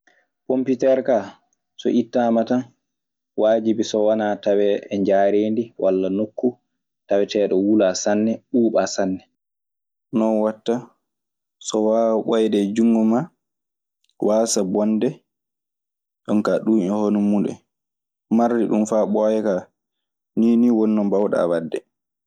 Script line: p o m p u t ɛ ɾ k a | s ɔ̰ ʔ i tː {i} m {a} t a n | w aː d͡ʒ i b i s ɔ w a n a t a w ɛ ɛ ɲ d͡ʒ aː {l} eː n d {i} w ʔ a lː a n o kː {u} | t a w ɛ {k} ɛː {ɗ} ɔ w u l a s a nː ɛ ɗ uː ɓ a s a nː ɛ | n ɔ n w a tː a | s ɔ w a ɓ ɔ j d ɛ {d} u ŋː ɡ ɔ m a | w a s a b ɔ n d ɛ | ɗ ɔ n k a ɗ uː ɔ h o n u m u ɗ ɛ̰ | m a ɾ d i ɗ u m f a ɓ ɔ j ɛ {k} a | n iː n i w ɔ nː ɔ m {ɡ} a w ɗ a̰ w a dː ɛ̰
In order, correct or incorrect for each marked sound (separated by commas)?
incorrect, correct, incorrect, correct, correct, incorrect, correct, incorrect, correct, incorrect